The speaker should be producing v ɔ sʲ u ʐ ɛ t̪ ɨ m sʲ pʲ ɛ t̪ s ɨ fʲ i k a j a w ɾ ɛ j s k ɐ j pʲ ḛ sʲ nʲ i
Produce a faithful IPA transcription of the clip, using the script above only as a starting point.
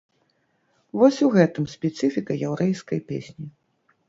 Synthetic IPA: v ɔ sʲ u ɣ ɛ t̪ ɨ m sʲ pʲ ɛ t̪ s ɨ fʲ i k ɐ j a w ɾ ɛ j s k ɐ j pʲ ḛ sʲ nʲ i